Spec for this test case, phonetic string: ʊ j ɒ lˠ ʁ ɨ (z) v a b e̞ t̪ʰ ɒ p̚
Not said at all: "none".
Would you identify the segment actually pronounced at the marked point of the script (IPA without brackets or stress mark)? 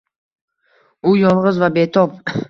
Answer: z